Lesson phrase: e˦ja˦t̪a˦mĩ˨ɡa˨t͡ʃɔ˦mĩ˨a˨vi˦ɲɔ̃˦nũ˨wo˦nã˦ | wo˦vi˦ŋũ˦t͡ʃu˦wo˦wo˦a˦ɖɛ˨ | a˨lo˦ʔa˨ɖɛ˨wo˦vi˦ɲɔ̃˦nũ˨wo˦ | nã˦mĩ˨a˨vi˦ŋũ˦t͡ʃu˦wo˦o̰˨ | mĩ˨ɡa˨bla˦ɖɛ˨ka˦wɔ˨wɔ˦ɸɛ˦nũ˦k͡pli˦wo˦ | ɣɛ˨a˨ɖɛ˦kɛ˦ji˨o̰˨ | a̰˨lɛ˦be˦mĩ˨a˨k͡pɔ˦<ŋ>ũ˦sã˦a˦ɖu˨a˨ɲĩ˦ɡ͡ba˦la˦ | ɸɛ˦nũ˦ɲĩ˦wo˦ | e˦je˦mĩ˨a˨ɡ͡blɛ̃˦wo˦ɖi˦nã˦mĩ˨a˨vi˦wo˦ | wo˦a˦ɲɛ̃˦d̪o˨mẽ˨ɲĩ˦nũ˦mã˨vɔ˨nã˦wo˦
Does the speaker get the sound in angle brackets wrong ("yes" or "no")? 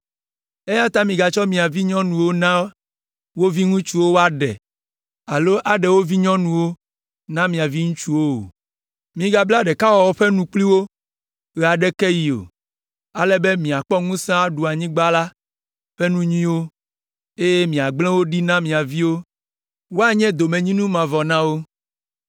no